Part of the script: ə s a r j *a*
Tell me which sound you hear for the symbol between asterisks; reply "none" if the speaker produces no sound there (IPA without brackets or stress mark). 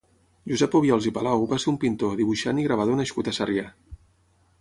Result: a